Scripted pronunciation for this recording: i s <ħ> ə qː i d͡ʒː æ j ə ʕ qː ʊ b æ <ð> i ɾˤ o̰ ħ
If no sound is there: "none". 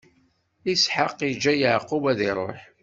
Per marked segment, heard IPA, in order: ħ, ð

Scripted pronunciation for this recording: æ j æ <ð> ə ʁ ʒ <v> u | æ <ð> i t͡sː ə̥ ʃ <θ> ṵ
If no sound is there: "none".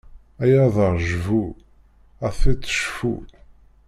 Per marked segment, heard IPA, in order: ð, v, θ, f

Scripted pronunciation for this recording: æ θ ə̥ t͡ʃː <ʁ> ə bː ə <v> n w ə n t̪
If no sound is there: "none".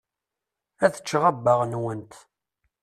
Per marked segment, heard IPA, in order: ʁ, ʁ

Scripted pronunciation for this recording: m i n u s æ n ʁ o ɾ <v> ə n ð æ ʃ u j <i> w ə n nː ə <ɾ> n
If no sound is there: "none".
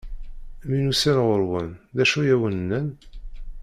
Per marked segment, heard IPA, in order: w, æ, none

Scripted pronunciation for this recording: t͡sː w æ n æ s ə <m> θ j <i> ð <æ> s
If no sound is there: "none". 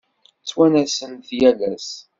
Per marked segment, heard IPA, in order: n, æ, æ

